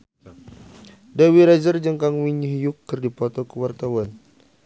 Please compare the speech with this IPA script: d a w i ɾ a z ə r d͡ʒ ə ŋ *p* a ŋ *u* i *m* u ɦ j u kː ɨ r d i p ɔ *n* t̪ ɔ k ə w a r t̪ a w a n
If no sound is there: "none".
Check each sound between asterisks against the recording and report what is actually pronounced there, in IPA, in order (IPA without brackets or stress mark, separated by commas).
k, w, ɲ, none